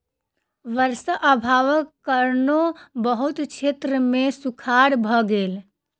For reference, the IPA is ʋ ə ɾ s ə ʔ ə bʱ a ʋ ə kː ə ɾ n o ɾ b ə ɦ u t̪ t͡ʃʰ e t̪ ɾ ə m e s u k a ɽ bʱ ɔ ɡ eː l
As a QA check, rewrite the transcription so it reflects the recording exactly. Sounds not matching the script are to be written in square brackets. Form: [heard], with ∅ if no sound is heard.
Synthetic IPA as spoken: ʋ ə ɾ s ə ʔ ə bʱ a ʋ ə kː ə ɾ n o [∅] b ə ɦ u t̪ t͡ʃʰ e t̪ ɾ ə m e s u [kʰ] a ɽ bʱ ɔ ɡ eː l